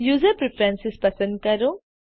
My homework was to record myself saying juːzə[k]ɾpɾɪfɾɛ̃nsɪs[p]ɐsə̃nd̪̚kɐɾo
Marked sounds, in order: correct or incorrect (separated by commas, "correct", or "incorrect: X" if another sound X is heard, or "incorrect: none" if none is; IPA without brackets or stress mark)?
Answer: incorrect: none, correct